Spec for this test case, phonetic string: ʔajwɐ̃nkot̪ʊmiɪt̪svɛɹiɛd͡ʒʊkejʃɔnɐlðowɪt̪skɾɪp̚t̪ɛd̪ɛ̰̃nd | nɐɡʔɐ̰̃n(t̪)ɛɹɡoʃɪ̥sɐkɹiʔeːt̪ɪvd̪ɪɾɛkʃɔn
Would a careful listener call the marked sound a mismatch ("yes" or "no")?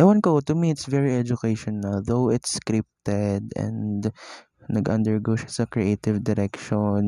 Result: yes